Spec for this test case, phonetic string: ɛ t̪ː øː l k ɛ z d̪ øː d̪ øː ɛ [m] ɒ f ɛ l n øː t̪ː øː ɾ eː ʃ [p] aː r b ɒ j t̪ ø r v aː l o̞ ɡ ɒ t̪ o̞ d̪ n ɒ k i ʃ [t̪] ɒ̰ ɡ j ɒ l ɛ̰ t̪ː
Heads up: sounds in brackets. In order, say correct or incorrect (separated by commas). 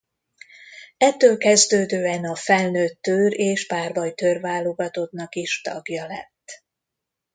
incorrect, correct, correct